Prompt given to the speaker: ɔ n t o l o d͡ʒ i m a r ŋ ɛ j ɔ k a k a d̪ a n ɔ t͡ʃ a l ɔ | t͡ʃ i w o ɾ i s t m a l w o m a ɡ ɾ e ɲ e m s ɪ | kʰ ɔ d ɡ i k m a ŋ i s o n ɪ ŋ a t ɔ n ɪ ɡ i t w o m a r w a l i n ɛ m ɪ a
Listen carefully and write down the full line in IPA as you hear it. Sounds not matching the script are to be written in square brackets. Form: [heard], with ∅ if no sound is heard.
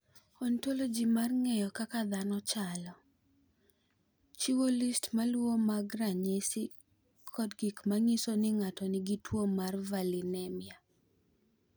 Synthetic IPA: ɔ n t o l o d͡ʒ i m a r ŋ ɛ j ɔ k a k a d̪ a n ɔ t͡ʃ a l ɔ | t͡ʃ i w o [l] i s t m a l w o m a ɡ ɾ [a] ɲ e [∅] s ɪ | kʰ ɔ d ɡ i k m a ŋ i s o n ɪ ŋ a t ɔ n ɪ ɡ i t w o m a r [v] a l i n ɛ m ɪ a